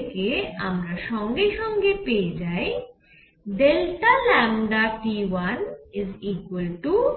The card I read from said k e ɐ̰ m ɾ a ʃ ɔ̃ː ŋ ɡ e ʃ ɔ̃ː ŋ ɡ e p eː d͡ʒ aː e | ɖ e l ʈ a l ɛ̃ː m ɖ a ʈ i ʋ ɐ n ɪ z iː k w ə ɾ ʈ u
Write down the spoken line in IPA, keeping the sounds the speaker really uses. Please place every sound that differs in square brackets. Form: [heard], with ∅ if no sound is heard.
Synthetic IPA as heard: k e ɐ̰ m ɾ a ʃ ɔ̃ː ŋ ɡ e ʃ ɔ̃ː ŋ ɡ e p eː d͡ʒ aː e | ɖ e l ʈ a l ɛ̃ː m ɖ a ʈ i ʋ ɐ n ɪ z iː k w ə [l] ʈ u